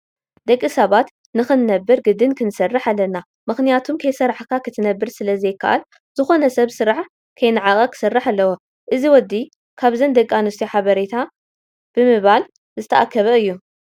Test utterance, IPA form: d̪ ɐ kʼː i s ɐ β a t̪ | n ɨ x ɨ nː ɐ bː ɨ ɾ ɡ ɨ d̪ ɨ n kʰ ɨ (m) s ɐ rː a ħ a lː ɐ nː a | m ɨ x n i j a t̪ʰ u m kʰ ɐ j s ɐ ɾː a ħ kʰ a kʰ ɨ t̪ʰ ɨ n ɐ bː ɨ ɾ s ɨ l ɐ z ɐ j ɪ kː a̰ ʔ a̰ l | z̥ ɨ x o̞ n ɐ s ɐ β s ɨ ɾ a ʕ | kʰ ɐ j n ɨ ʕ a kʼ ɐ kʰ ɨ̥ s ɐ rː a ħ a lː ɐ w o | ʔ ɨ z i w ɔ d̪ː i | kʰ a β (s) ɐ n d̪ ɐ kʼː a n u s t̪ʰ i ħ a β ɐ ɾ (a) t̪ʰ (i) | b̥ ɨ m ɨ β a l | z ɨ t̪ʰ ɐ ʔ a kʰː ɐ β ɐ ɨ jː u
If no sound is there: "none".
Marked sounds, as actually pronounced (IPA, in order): n, z, e, a

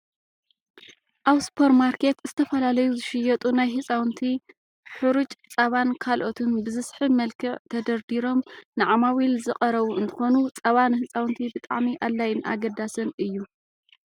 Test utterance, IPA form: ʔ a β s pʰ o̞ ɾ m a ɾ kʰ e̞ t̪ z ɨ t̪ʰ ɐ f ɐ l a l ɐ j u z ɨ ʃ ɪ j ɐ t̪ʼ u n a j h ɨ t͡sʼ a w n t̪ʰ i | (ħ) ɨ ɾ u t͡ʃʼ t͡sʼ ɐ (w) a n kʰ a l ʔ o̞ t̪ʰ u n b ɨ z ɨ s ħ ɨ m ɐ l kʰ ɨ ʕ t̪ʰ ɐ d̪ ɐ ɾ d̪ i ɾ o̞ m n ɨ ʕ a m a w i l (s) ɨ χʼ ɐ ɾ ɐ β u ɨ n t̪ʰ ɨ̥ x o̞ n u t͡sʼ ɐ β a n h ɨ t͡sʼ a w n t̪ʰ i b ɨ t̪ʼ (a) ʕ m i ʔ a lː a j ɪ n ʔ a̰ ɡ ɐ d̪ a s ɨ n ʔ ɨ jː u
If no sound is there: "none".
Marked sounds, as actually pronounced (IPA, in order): ħ, β, z, a

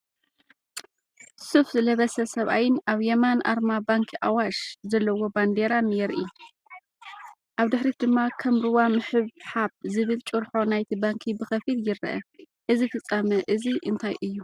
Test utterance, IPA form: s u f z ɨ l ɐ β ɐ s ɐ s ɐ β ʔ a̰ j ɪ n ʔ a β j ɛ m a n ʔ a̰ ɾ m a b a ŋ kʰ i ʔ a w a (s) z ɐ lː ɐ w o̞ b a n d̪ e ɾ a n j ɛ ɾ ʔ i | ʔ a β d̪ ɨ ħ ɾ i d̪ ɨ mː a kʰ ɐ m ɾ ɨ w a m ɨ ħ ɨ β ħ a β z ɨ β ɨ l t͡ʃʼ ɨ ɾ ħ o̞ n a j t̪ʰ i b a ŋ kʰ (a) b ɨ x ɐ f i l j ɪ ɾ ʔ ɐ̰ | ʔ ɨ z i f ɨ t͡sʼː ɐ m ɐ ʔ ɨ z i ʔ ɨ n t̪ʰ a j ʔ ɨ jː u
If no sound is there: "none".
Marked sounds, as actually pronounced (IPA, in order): ʃ, i

